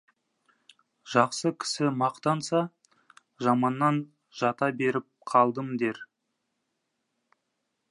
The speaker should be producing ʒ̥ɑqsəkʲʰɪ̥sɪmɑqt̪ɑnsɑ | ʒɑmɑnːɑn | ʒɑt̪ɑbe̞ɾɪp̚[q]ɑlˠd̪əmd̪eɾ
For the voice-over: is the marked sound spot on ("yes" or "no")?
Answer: no